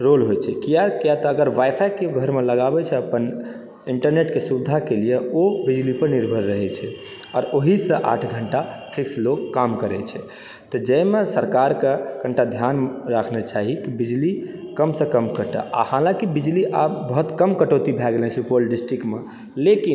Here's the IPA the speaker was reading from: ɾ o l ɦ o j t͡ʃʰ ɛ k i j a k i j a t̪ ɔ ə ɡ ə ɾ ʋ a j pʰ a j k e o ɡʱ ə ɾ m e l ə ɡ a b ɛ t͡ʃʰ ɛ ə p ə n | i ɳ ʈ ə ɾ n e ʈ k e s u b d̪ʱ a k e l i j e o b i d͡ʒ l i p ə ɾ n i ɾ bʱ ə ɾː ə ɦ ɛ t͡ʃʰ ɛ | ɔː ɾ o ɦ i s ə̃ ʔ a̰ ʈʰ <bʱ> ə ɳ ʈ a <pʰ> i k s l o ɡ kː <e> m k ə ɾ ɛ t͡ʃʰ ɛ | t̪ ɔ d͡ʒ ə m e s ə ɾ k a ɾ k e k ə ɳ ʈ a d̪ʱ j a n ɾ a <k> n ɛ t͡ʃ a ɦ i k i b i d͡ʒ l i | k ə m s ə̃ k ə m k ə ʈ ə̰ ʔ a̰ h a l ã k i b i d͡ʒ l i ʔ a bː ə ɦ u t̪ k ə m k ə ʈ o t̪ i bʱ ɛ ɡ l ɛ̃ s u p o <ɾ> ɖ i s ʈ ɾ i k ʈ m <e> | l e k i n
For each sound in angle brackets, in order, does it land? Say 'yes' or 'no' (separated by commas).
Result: no, yes, no, no, no, yes